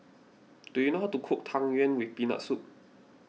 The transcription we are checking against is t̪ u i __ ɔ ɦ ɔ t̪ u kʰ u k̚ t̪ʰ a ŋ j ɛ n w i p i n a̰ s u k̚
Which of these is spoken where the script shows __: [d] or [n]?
n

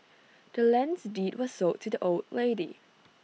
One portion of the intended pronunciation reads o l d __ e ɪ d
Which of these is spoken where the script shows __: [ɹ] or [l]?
l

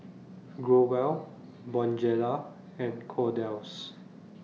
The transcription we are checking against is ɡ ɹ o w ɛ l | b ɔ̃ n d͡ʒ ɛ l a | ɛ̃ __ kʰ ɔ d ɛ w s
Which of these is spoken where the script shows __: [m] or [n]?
n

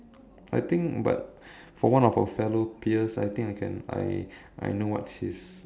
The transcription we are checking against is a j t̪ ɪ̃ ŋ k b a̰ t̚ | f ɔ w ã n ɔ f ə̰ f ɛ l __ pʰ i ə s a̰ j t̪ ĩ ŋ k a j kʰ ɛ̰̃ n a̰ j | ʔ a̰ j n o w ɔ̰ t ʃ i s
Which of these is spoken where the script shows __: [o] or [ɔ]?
o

